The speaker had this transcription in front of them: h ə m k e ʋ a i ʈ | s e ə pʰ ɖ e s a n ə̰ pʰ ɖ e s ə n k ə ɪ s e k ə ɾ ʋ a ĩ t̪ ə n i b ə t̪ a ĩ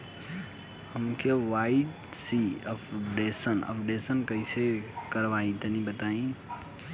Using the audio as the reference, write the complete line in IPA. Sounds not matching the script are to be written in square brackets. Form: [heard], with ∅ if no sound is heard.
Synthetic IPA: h ə m k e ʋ a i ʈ | s [i] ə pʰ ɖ e s [ə] n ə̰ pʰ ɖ e s ə n k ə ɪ s e k ə ɾ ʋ a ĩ t̪ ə n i b ə t̪ a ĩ